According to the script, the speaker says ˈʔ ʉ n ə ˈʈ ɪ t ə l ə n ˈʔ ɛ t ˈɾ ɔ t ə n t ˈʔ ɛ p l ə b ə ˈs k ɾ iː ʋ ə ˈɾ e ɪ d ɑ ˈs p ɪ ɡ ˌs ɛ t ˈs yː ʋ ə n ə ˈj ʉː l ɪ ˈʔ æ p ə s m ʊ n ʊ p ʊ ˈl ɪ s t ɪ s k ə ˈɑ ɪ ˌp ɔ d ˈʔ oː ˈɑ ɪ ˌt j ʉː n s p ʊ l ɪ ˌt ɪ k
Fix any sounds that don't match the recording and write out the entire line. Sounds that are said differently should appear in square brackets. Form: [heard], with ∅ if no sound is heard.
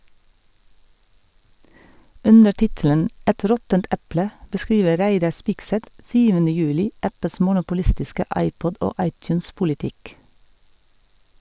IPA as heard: ˈʔ ʉ n ə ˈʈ ɪ t ə l ə n ˈʔ ɛ t ˈɾ ɔ t ə n t ˈʔ ɛ p l ə b ə ˈs k ɾ iː ʋ ə ˈɾ [æ] ɪ d ɑ ˈs p ɪ ɡ ˌs ɛ t ˈs yː ʋ ə n ə ˈj ʉː l ɪ ˈʔ æ p ə s m ʊ n ʊ p ʊ ˈl ɪ s t ɪ s k ə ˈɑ ɪ ˌp ɔ d ˈʔ oː ˈɑ ɪ ˌt j ʉː n s p ʊ l ɪ ˌt ɪ k